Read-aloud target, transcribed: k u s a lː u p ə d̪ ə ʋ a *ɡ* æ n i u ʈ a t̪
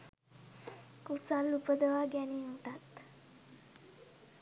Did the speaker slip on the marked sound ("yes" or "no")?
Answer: no